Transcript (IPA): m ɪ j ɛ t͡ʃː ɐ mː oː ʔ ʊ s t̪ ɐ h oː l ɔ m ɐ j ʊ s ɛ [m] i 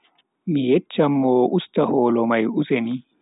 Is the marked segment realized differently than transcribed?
yes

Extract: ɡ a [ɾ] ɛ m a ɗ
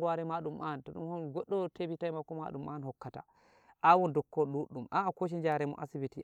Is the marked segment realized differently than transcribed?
no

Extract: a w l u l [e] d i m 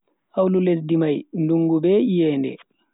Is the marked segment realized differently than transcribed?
no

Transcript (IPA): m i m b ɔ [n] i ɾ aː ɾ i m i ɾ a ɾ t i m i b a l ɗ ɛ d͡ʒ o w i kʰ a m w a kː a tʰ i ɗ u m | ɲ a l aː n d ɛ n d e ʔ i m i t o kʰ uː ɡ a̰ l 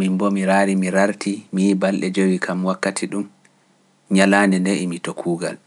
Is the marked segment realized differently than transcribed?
yes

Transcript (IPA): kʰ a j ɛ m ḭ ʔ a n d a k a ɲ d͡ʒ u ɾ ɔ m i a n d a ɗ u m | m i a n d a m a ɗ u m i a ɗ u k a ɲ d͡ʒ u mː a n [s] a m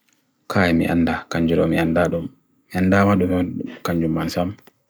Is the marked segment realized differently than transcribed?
no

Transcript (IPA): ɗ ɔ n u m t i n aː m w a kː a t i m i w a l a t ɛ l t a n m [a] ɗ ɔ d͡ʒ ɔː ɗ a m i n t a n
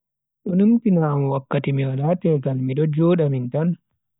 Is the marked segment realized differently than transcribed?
yes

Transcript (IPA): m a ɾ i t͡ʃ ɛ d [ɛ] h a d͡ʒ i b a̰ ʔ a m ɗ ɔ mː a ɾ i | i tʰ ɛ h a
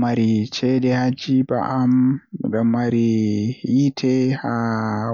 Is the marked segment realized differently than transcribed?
no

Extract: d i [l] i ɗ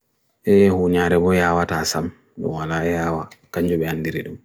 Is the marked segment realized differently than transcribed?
yes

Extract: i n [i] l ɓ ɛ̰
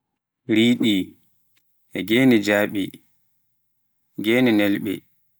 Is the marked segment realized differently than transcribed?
yes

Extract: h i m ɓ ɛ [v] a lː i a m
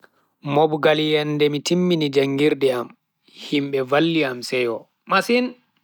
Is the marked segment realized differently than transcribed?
no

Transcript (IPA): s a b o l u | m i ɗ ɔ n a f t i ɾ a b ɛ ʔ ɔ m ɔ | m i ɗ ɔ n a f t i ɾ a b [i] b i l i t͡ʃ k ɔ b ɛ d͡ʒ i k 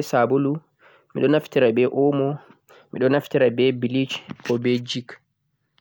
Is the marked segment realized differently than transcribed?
yes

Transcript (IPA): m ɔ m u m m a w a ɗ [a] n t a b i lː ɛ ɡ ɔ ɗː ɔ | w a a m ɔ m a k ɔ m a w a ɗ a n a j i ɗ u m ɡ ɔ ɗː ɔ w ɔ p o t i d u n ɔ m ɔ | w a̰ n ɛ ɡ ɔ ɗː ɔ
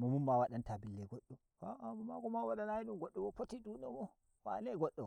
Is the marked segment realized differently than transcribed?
no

